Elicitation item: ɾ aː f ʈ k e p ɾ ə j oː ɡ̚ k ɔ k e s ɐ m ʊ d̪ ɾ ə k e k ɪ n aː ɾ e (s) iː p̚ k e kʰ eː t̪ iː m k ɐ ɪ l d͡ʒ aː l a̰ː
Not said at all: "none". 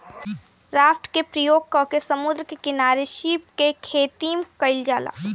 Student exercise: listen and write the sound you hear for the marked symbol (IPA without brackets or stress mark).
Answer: ʃ